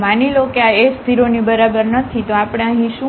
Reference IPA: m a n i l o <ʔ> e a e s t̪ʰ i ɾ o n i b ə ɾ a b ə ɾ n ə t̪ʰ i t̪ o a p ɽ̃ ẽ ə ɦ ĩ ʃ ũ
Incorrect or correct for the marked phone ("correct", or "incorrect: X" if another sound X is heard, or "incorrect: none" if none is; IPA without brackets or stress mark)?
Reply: incorrect: k